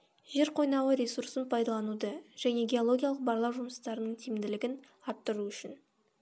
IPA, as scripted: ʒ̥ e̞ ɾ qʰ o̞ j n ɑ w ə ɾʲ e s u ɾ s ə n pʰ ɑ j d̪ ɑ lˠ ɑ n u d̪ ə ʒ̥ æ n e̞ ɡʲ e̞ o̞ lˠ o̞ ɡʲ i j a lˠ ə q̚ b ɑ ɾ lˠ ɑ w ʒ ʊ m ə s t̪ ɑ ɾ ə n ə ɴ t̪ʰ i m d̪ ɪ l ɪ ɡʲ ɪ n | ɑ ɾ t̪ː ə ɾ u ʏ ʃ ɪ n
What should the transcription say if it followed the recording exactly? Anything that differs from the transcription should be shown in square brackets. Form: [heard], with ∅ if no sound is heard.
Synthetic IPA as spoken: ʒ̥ e̞ ɾ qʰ o̞ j n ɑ w ə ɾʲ e s u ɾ s ə n pʰ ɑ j d̪ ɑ lˠ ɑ n u d̪ ə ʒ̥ æ n e̞ ɡʲ e̞ o̞ lˠ o̞ ɡʲ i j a lˠ ə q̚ b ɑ ɾ lˠ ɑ w ʒ ʊ m ə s t̪ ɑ ɾ ə n ə ɴ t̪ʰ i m d̪ ɪ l ɪ ɡʲ ɪ n | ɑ ɾ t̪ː ə ɾ u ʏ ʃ ɪ n

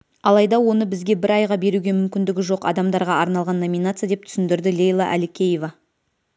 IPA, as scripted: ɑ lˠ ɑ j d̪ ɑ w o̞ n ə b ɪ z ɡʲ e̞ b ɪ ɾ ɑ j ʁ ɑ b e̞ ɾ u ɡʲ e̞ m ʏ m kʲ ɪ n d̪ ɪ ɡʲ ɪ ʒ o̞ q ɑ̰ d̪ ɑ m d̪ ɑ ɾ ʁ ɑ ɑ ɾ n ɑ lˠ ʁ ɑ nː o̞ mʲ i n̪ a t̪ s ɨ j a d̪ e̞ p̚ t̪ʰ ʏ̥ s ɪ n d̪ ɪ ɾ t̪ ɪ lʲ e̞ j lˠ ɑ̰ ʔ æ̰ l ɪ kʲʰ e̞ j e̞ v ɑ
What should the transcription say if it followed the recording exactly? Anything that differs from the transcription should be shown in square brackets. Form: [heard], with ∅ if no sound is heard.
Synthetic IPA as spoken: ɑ lˠ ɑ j d̪ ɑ w o̞ n ə b ɪ z ɡʲ e̞ b ɪ ɾ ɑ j ʁ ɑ b e̞ ɾ u ɡʲ e̞ m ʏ m kʲ ɪ n d̪ ɪ ɡʲ ɪ ʒ o̞ q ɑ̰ d̪ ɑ m d̪ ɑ ɾ ʁ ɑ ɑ ɾ n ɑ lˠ ʁ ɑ nː o̞ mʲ i n̪ a t̪ s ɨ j a d̪ e̞ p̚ t̪ʰ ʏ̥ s ɪ n d̪ ɪ ɾ [d̪] ɪ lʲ e̞ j lˠ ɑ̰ ʔ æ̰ l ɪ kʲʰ e̞ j e̞ v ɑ

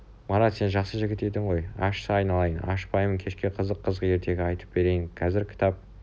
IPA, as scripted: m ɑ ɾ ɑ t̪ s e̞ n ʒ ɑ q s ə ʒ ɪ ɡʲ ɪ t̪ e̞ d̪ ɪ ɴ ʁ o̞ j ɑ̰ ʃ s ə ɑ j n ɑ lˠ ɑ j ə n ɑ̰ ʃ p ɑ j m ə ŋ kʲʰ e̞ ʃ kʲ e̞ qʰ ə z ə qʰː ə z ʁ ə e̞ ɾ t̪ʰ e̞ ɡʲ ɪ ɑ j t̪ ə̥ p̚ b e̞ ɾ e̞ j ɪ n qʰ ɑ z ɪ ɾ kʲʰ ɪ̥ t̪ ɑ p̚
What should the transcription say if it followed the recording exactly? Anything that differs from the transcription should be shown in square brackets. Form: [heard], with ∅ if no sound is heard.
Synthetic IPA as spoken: m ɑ ɾ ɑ t̪ s e̞ n ʒ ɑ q s ə ʒ ɪ ɡʲ ɪ t̪ e̞ d̪ ɪ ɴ ʁ o̞ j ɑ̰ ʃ s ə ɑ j n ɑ lˠ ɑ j ə n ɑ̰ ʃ p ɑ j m ə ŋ kʲʰ e̞ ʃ kʲ e̞ qʰ ə z ə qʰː ə z ʁ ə e̞ ɾ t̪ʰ e̞ ɡʲ ɪ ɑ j t̪ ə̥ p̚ b e̞ ɾ e̞ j ɪ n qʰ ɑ z ɪ ɾ kʲʰ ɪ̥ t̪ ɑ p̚

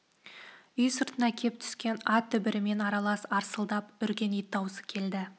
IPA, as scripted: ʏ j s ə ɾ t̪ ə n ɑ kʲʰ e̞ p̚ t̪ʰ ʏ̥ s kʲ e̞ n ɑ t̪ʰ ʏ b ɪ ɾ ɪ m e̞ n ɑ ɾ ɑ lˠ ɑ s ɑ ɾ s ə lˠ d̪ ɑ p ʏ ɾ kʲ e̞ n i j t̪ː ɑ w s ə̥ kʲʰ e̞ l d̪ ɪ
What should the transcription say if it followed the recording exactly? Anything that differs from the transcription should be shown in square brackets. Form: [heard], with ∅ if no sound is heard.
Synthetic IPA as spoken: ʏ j s ə ɾ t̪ ə n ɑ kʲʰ e̞ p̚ t̪ʰ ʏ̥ s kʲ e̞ n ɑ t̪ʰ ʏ b ɪ ɾ ɪ m e̞ n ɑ ɾ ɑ lˠ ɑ s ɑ ɾ s ə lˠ d̪ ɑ p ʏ ɾ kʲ e̞ n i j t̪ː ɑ w s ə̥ kʲʰ e̞ l d̪ ɪ

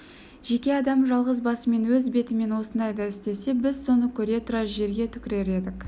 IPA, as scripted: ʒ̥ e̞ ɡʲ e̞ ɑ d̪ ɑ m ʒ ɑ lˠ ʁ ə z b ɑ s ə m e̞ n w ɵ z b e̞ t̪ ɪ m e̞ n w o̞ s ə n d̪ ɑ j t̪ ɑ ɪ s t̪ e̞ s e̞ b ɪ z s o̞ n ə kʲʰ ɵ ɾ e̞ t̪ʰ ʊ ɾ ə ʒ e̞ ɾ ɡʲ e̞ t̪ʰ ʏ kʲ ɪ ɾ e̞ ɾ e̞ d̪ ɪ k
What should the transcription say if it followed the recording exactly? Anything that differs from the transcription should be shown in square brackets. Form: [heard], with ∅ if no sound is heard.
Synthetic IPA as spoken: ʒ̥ e̞ [kʲ] e̞ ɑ d̪ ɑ m ʒ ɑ lˠ ʁ ə z b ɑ s ə m e̞ n w ɵ z b e̞ t̪ ɪ m e̞ n w o̞ s ə n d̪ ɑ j [d̪] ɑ ɪ s t̪ e̞ s e̞ b ɪ z s o̞ n ə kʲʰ ɵ ɾ e̞ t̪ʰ ʊ ɾ [ɑ] ʒ e̞ ɾ ɡʲ e̞ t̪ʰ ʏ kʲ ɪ ɾ e̞ ɾ e̞ d̪ ɪ k

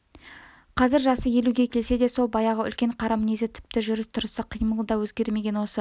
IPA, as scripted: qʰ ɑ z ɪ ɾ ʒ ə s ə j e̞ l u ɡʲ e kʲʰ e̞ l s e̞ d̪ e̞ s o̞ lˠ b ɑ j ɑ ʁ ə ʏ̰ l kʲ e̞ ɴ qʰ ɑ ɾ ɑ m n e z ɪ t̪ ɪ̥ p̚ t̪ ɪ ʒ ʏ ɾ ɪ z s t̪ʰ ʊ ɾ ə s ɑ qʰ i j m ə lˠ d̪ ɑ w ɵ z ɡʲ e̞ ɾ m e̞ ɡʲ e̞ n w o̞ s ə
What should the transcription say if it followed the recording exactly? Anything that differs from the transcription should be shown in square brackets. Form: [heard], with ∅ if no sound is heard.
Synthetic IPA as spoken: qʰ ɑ z ɪ ɾ ʒ [ɑ] s ə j e̞ l u ɡʲ e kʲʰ e̞ l s e̞ d̪ e̞ s o̞ lˠ b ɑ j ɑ ʁ ə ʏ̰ l kʲ e̞ ɴ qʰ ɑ ɾ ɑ m n e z ɪ [t̪ʰ] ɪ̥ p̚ t̪ ɪ ʒ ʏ ɾ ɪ [∅] s t̪ʰ ʊ ɾ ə s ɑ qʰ i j m ə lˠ d̪ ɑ w ɵ z ɡʲ e̞ ɾ m e̞ ɡʲ e̞ n w o̞ s ə

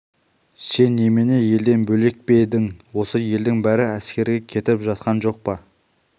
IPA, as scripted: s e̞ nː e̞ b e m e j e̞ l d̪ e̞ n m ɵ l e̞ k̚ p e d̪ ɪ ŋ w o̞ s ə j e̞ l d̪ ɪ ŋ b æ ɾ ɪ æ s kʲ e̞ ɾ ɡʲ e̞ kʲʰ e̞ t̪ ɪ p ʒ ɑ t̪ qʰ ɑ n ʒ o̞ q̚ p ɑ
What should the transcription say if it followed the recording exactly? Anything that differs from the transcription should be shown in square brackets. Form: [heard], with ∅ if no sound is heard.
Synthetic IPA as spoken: s e̞ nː e̞ [m] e [n] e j e̞ l d̪ e̞ n [b] ɵ l e̞ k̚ p e d̪ ɪ ŋ w o̞ s ə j e̞ l d̪ ɪ ŋ b æ ɾ ɪ æ s kʲ e̞ ɾ ɡʲ e̞ kʲʰ e̞ t̪ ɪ p ʒ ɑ t̪ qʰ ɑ n ʒ o̞ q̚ p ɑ

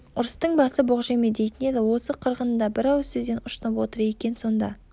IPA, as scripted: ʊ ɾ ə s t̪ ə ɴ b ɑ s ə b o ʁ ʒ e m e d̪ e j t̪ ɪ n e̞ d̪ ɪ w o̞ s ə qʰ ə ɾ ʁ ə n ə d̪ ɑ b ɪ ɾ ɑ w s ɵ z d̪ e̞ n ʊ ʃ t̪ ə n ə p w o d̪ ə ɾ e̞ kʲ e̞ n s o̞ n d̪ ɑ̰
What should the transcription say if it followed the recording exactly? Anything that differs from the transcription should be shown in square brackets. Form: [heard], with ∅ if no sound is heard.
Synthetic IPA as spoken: ʊ ɾ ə s t̪ ə ɴ b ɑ s ə b o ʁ ʒ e m e d̪ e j t̪ ɪ n e̞ d̪ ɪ w o̞ s ə qʰ ə ɾ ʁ ə n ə d̪ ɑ b ɪ ɾ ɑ w s ɵ z d̪ e̞ n ʊ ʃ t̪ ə n ə p w o [t̪] ə ɾ e̞ kʲ e̞ n s o̞ n d̪ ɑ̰

